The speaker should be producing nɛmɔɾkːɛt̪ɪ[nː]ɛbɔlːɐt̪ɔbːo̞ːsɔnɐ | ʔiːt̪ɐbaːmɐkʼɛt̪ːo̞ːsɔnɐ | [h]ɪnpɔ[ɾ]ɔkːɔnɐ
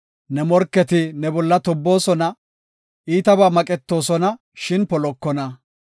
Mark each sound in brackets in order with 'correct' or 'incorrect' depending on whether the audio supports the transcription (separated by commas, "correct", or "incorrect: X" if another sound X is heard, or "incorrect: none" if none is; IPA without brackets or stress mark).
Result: incorrect: n, incorrect: ʃ, incorrect: l